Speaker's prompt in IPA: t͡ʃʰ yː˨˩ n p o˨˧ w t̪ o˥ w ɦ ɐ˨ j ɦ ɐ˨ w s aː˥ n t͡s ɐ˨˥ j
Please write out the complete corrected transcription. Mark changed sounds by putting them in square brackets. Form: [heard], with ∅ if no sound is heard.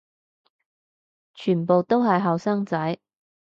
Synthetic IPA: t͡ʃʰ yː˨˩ n p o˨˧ w t̪ o˥ w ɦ ɐ˨ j ɦ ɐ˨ w s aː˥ [ŋ] t͡s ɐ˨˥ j